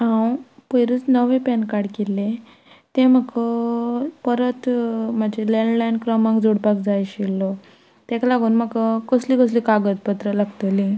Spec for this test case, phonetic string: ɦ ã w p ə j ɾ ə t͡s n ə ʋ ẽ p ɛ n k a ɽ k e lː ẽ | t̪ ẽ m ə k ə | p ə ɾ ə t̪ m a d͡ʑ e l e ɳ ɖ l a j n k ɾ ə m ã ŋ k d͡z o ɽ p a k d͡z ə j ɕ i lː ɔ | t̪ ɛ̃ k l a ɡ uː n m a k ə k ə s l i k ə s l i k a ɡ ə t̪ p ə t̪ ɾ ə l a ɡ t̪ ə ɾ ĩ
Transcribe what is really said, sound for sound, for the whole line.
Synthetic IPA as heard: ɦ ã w p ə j ɾ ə t͡s n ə ʋ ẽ p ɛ n k a ɽ k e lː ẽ | t̪ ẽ m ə k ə | p ə ɾ ə t̪ m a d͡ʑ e l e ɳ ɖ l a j n k ɾ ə m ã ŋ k d͡z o ɽ p a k d͡z a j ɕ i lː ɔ | t̪ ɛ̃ k l a ɡ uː n m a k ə k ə s l i k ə s l i k a ɡ ə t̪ p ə t̪ ɾ ə l a ɡ t̪ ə l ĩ

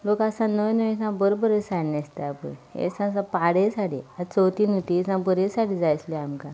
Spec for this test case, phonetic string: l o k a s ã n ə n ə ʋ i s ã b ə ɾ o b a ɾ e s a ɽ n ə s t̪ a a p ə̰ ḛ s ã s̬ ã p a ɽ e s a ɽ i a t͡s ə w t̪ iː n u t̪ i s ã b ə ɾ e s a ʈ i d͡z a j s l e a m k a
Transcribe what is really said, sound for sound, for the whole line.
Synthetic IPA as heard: l o k a s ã n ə n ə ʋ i s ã b ə ɾ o b ə ɾ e s a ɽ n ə s t̪ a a p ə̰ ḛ s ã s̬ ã p a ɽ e s a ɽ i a t͡s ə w t̪ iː n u t̪ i s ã b ə ɾ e s a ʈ i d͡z a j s l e a m k a

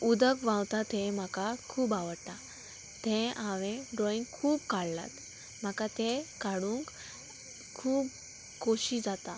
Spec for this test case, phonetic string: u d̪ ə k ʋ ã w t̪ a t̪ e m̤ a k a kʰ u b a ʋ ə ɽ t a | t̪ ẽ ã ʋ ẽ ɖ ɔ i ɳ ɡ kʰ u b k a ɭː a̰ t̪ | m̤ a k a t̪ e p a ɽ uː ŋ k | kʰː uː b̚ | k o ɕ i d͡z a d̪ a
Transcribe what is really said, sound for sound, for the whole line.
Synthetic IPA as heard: u d̪ ə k ʋ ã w t̪ a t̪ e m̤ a k a kʰ uː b a ʋ ə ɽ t a | t̪ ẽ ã ʋ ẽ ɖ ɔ i ŋ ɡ kʰ uː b k a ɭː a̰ t̪ | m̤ a k a t̪ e k a ɽ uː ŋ k | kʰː uː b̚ | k o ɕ i d͡z a t̪ a

